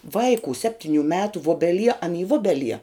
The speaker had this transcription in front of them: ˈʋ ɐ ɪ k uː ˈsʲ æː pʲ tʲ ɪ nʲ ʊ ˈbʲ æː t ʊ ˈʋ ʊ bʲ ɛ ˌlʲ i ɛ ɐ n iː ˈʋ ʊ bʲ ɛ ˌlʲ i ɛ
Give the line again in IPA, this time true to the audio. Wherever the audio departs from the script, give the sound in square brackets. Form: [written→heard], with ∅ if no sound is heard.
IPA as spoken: ˈʋ ɐ ɪ k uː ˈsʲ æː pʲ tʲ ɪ nʲ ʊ [ˈbʲ→ˈmʲ] æː t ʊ ˈʋ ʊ bʲ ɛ ˌlʲ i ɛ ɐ n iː ˈʋ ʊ bʲ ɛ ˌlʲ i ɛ